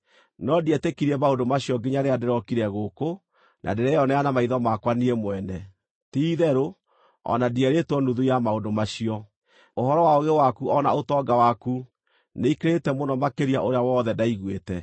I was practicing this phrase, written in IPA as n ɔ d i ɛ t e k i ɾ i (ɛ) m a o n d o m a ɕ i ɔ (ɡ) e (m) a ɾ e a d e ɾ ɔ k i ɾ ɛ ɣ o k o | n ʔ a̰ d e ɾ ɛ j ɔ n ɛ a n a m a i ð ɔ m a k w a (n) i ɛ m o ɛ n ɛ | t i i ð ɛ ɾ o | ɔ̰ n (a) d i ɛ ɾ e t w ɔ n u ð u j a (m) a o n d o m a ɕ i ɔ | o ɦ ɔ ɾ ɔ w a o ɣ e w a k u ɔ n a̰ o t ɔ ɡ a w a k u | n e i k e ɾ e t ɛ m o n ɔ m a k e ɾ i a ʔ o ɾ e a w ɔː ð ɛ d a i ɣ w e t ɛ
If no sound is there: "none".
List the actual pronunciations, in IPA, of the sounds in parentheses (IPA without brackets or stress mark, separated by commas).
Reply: ɛ, ɡ, ɲ, n, a, m